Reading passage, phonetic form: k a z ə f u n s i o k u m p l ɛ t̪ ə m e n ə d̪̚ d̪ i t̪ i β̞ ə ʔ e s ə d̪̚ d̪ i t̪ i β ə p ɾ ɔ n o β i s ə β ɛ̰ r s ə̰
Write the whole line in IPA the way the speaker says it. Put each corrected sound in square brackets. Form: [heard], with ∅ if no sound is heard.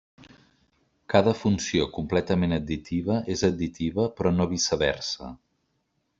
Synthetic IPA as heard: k a [ð] ə f u n s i o k u m p l ɛ t̪ ə m e n ə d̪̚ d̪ i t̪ i β̞ ə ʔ e [z] ə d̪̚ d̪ i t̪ i β ə p ɾ ɔ n o β i s ə β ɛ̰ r s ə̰